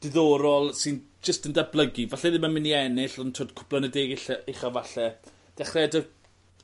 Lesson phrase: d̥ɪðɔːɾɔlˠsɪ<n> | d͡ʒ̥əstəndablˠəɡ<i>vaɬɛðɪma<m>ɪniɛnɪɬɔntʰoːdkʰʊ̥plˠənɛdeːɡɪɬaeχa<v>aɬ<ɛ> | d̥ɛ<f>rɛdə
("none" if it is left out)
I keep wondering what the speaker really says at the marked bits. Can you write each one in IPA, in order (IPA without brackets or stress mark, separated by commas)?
n, i, m, v, ɛ, χ